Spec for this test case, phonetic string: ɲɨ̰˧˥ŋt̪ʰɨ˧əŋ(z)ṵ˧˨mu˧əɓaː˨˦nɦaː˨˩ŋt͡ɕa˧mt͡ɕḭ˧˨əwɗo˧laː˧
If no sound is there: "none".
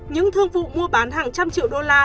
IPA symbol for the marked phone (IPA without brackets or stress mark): v